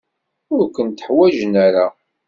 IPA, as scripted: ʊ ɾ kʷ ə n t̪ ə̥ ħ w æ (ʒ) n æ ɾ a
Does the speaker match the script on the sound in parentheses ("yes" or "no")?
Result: yes